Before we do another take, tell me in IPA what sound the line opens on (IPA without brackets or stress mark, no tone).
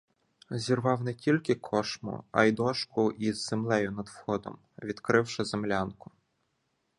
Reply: zʲ